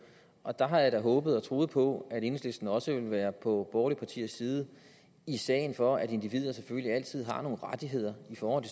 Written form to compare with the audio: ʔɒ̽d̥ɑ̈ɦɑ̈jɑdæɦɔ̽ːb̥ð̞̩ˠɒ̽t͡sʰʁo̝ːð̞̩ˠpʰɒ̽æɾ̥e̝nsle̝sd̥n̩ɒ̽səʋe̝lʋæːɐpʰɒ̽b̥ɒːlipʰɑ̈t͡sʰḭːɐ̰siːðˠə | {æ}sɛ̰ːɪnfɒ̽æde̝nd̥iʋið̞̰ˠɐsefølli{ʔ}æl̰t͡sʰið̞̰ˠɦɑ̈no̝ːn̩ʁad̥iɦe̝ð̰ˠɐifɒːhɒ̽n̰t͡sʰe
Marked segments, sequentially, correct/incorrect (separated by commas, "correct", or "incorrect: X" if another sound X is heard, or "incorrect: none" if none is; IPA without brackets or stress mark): incorrect: i, incorrect: none